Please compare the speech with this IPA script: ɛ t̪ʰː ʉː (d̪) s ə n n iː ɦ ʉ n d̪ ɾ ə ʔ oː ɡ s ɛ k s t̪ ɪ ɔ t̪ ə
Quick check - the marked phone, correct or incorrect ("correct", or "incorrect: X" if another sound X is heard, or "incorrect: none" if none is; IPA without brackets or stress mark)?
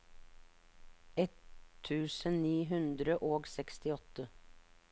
incorrect: none